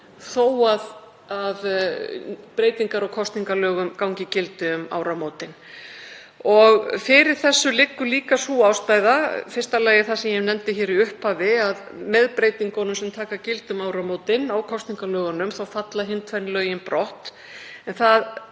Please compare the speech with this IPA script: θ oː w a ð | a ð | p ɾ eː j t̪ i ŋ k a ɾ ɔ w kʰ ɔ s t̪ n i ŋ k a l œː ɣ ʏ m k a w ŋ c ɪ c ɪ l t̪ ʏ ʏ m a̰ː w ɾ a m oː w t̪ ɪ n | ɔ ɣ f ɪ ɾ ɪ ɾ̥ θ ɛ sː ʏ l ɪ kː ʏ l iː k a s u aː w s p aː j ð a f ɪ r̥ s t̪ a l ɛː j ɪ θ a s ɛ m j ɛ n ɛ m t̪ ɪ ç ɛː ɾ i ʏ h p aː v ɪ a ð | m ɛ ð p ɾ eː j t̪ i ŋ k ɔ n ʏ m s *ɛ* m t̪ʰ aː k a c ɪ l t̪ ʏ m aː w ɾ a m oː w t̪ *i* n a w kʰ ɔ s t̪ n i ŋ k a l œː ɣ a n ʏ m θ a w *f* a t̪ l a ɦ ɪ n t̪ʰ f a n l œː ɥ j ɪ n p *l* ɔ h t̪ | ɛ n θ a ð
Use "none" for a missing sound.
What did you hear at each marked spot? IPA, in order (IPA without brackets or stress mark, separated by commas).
ɛ, ɪ, f, ɾ